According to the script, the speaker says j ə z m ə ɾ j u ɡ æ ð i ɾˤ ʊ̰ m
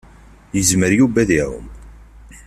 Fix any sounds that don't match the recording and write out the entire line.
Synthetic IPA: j ə z m ə ɾ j u b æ ð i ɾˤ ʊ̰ m